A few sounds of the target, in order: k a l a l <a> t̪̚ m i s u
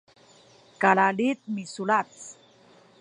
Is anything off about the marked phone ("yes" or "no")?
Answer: yes